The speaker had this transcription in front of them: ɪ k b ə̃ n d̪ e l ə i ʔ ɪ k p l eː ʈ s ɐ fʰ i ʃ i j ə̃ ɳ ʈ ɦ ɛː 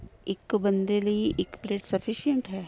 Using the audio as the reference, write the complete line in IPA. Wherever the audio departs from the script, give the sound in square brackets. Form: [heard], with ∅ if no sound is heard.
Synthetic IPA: ɪ k b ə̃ n d̪ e l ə i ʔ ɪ k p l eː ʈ s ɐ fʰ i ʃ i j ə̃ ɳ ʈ ɦ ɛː